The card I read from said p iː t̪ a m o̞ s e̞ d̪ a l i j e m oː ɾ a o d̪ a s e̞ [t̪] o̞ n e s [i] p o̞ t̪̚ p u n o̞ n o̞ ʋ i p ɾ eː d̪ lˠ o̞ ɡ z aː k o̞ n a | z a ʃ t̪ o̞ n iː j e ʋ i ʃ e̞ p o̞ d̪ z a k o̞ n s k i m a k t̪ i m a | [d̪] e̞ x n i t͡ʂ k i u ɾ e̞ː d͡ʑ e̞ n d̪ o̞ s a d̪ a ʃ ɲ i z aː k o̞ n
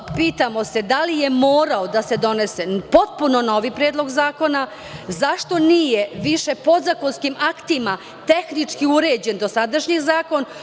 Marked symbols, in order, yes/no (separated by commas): no, no, no